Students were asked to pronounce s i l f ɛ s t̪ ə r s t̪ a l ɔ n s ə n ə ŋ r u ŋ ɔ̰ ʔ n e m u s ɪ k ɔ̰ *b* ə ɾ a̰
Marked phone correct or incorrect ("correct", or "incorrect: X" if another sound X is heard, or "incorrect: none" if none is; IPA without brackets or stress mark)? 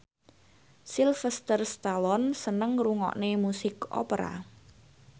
incorrect: p